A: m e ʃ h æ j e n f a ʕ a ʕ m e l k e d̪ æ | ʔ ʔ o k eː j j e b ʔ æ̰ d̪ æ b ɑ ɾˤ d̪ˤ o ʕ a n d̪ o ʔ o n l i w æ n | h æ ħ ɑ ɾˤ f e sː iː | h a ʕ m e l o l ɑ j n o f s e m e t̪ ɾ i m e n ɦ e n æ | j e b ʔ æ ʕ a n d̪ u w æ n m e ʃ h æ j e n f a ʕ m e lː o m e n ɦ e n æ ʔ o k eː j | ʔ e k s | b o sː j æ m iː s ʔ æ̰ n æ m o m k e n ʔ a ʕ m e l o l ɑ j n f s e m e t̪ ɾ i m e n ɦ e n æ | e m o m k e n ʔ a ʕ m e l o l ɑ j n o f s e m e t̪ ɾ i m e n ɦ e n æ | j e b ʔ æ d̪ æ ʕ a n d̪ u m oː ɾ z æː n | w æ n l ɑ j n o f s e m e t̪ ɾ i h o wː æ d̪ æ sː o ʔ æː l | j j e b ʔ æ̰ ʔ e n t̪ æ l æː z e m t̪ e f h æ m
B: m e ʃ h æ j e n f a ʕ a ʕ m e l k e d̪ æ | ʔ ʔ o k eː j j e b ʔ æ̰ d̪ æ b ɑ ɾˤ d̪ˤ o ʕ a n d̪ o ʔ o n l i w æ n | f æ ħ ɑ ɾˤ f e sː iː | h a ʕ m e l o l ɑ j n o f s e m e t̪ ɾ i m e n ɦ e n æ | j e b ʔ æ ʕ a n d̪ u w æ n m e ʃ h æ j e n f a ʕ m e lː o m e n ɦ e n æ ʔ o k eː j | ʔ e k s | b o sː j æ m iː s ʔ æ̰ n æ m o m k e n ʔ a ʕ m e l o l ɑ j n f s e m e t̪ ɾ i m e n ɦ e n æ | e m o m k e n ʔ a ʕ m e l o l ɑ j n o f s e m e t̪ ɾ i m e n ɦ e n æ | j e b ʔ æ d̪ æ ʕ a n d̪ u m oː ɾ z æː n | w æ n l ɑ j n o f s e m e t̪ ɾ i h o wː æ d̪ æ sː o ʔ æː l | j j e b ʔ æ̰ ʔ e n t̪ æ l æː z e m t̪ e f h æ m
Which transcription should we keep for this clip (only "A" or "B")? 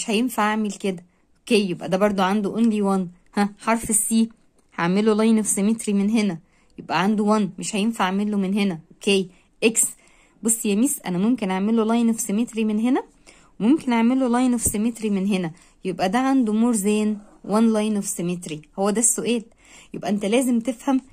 A